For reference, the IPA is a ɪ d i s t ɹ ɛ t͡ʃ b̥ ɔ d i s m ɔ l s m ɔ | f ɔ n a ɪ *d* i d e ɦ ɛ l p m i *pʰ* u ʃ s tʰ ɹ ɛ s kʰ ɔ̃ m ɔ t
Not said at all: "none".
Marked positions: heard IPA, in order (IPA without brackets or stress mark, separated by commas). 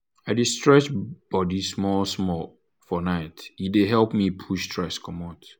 t, pʰ